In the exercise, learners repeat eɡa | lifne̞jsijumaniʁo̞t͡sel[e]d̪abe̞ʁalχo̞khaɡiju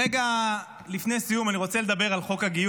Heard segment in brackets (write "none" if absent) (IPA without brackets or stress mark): e